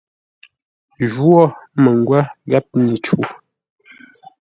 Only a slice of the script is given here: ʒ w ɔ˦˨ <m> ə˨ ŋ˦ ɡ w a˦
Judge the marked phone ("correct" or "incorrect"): correct